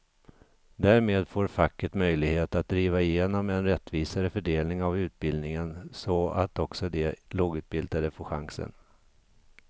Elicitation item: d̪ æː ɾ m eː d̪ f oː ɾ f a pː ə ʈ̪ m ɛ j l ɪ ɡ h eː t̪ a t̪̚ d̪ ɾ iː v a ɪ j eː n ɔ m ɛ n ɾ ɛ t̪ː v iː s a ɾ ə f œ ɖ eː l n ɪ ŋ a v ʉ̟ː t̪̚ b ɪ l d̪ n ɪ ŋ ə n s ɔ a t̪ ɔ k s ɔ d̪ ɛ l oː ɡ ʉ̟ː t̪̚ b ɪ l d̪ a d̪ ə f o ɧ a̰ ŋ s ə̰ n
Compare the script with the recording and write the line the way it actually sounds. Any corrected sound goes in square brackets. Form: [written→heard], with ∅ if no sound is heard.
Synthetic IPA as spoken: d̪ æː ɾ m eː d̪ f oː ɾ f a [pː→kː] ə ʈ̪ m [ɛ→œ] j l ɪ ɡ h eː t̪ a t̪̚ d̪ ɾ iː v a ɪ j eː n ɔ m ɛ n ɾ ɛ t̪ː v iː s a ɾ ə f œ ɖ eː l n ɪ ŋ a v ʉ̟ː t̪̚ b ɪ l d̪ n ɪ ŋ ə n s ɔ a t̪ ɔ k s ɔ d̪ ɛ l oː ɡ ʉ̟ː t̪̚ b ɪ l d̪ a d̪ ə f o ɧ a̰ ŋ s ə̰ n